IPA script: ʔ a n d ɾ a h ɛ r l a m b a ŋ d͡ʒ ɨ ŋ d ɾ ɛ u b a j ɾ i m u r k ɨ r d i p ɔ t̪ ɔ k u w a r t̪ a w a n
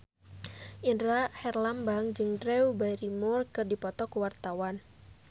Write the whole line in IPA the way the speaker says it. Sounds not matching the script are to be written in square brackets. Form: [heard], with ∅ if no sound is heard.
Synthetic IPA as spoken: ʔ [i] n d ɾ a h ɛ r l a m b a ŋ d͡ʒ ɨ ŋ d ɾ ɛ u b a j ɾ i m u r k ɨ r d i p ɔ t̪ ɔ k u w a r t̪ a w a n